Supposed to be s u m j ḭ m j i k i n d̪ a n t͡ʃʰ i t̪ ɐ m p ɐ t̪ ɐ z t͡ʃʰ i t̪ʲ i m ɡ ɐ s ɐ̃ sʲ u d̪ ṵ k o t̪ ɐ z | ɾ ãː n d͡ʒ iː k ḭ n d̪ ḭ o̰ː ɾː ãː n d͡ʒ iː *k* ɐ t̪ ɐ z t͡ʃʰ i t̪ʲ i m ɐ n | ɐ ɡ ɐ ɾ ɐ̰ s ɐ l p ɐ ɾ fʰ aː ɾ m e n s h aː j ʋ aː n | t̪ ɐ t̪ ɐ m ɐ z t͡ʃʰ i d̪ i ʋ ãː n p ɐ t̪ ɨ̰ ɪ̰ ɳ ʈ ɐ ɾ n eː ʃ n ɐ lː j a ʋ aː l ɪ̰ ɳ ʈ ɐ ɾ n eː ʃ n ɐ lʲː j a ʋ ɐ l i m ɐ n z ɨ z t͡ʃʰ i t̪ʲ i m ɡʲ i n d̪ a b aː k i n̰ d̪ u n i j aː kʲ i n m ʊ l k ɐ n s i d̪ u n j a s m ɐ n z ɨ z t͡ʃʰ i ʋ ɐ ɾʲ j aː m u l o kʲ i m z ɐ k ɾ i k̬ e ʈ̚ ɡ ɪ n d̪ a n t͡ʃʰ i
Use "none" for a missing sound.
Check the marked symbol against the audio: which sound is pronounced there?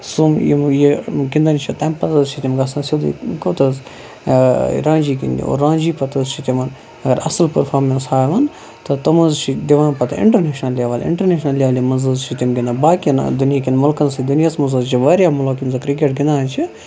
p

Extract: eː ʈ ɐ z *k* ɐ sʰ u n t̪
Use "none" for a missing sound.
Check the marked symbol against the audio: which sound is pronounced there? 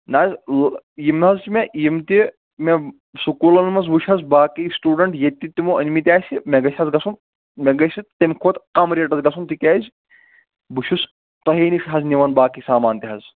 ɡ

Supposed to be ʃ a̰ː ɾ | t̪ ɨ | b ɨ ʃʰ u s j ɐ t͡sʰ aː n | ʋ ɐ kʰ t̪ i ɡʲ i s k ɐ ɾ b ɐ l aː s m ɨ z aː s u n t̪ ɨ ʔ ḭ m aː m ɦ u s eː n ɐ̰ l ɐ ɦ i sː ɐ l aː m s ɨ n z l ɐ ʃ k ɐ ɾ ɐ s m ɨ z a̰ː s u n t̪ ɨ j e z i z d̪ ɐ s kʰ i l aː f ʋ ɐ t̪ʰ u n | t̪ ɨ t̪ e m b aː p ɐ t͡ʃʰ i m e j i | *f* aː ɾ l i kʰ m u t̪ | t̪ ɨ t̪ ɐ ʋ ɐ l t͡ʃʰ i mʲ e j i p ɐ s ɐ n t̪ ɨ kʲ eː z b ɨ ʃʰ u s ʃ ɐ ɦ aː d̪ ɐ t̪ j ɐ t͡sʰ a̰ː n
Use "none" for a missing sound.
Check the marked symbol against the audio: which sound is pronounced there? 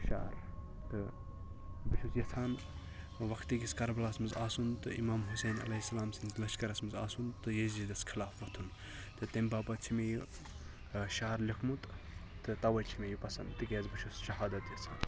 ʃ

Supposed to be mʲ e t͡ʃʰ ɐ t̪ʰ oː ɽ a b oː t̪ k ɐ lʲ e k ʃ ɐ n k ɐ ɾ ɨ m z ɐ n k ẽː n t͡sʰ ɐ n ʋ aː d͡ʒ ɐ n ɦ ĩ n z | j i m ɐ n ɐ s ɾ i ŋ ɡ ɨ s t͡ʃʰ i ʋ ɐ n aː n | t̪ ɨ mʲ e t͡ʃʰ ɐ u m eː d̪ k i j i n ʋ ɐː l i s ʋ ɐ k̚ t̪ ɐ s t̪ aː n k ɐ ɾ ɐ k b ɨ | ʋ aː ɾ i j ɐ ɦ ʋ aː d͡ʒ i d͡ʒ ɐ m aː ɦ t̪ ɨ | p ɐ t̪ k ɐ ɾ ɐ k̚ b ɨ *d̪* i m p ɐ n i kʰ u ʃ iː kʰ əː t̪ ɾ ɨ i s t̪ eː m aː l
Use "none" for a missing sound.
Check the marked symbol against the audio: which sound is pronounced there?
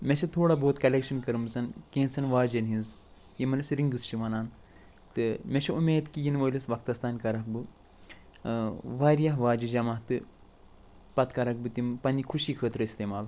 t̪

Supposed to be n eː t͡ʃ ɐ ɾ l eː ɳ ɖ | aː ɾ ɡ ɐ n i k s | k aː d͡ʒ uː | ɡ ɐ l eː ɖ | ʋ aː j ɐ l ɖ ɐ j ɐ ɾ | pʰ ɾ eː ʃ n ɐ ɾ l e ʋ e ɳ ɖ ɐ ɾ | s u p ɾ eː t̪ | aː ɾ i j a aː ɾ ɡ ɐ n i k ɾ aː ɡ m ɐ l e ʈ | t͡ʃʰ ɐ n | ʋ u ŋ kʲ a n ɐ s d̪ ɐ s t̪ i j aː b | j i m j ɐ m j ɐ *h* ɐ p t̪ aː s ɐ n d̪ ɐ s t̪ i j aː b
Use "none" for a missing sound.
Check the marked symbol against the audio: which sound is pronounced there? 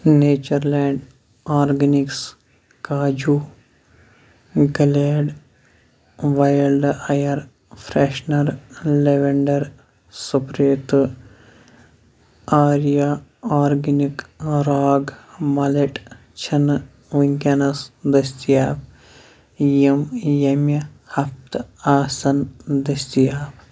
h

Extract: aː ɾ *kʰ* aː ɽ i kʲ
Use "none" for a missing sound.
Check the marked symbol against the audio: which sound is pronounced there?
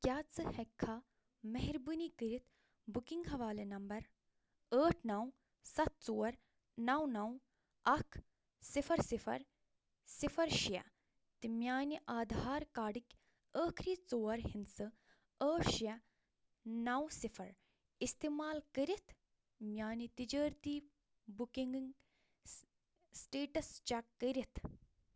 k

